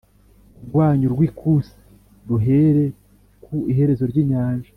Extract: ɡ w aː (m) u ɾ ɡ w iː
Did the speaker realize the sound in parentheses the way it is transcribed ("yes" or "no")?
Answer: no